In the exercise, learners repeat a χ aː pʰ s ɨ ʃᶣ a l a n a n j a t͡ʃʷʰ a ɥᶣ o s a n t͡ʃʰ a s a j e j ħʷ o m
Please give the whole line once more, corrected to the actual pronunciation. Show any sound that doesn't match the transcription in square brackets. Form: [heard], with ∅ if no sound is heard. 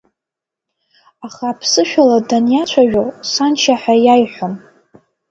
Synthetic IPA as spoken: a χ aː pʰ s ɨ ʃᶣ a l a [d] a n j a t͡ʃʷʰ a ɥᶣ o s a n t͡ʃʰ a [ħ] a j [a] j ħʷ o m